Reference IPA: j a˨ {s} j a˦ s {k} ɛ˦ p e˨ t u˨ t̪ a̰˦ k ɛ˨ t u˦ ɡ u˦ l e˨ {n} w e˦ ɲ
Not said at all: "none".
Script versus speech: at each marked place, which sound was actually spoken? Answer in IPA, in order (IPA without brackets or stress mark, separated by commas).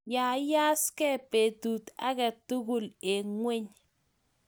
none, k, ŋ